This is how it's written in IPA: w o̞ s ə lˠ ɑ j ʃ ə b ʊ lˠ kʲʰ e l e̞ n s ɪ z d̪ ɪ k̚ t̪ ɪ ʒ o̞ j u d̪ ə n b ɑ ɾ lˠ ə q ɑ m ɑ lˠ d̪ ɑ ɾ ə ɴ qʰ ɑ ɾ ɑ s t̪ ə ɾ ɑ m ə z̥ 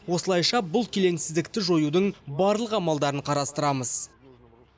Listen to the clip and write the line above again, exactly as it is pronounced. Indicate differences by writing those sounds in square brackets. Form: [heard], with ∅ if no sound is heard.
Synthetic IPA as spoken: w o̞ s ə lˠ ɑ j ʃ [ɑ] b ʊ lˠ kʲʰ e l e̞ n s ɪ z d̪ ɪ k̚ t̪ ɪ ʒ o̞ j u d̪ ə [ɴ] b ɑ ɾ lˠ ə q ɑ m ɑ lˠ d̪ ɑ ɾ ə ɴ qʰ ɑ ɾ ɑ s t̪ ə ɾ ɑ m ə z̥